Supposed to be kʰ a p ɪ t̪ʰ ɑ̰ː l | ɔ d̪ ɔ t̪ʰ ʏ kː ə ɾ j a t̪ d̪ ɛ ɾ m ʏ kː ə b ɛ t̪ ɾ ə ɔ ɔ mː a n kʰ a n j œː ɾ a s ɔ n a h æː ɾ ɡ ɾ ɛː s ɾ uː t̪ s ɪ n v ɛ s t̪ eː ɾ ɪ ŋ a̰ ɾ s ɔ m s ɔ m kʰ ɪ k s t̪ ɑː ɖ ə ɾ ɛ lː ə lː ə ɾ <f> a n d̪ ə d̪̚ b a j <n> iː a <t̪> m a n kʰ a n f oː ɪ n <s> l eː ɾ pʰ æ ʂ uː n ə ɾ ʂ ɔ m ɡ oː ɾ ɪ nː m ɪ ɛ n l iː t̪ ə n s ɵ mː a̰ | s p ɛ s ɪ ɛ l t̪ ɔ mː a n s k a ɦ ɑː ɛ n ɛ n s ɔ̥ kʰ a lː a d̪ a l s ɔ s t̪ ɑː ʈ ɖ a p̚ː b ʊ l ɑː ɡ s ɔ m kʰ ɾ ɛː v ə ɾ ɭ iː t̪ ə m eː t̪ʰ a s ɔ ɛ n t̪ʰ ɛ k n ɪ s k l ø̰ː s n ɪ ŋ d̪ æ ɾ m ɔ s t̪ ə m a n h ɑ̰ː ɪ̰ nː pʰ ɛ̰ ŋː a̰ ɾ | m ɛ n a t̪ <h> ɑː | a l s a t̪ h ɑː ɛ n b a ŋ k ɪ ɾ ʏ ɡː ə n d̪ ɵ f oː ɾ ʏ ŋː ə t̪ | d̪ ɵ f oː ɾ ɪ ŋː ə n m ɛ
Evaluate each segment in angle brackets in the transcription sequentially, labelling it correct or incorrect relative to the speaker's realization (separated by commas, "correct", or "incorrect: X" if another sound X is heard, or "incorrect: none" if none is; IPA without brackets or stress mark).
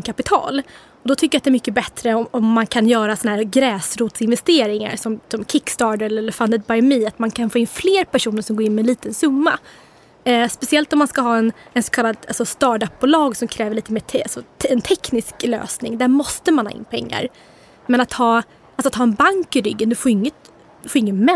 correct, incorrect: m, correct, incorrect: f, correct